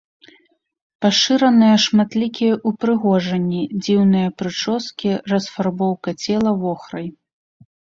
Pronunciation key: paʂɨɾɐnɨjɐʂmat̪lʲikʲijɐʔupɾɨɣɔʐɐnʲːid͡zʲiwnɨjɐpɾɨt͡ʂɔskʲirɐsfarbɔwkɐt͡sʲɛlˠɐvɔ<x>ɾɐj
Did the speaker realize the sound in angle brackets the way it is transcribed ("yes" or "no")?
yes